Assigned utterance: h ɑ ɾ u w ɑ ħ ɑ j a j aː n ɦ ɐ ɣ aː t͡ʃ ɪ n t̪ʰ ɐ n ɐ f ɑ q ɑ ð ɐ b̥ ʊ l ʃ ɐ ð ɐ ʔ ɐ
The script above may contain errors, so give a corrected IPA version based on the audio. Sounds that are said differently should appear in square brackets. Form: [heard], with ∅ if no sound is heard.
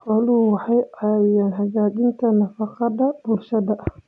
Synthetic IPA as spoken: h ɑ [l] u w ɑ ħ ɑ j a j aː n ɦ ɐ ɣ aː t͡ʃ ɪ n t̪ʰ ɐ n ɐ f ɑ q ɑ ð ɐ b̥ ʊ l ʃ ɐ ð ɐ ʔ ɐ